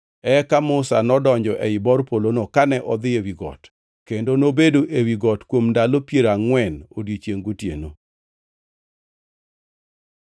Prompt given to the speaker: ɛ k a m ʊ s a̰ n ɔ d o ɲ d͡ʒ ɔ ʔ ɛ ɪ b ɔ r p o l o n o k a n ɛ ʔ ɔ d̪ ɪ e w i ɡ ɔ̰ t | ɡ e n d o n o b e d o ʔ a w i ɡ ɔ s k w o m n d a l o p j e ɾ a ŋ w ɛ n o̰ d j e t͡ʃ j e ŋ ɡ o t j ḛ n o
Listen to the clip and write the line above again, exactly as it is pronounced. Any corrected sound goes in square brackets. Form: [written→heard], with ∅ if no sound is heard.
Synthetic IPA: ɛ k a m ʊ s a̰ n ɔ d [o→ɔ] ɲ d͡ʒ ɔ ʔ ɛ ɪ b ɔ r p o l o n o k a n ɛ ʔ ɔ d̪ ɪ e w i ɡ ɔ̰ t | [ɡ→k] e n d o n o b e d o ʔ [a→e] w i ɡ ɔ [s→t] k w o m n d a l o p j e ɾ a ŋ w ɛ n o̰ d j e t͡ʃ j e ŋ ɡ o t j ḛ n o